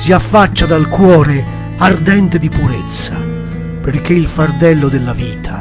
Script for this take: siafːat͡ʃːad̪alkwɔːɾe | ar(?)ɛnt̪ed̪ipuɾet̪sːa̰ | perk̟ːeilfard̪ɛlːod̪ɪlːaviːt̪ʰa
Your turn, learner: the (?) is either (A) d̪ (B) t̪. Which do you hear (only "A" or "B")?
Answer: A